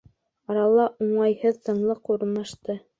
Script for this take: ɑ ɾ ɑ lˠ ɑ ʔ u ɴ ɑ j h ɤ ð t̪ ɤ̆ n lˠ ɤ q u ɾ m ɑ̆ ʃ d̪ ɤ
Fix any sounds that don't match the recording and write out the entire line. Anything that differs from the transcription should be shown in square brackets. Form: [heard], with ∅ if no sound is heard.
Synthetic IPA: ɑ ɾ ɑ lˠ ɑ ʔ u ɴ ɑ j h ɤ ð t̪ ɤ̆ [ɴ] lˠ ɤ q u ɾ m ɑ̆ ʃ [t̪] ɤ